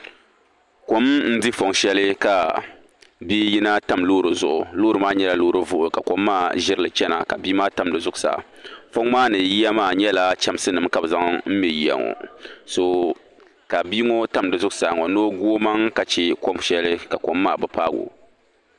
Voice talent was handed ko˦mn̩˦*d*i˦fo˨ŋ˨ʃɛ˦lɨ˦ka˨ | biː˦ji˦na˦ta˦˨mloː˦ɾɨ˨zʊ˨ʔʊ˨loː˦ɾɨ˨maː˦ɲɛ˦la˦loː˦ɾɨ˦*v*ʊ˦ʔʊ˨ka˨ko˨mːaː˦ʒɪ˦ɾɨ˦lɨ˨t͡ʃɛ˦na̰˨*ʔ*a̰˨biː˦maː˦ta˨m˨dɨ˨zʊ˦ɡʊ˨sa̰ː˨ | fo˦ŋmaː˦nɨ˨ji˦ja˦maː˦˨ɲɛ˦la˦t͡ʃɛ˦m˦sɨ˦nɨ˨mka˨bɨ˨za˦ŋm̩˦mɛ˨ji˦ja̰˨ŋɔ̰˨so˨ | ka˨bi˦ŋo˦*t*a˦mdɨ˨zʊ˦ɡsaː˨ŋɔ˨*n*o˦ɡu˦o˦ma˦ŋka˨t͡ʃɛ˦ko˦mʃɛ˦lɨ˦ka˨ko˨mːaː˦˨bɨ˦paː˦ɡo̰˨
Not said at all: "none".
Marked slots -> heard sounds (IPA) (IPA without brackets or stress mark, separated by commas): d, v, k, t, n